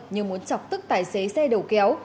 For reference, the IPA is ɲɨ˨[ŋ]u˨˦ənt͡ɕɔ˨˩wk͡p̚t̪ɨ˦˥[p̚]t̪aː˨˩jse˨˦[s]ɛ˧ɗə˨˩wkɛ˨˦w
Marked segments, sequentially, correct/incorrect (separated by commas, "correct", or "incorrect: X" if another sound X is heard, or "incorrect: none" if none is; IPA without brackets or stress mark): incorrect: m, incorrect: k̚, correct